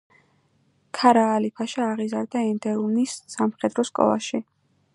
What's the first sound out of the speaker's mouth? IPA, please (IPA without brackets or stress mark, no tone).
kʰ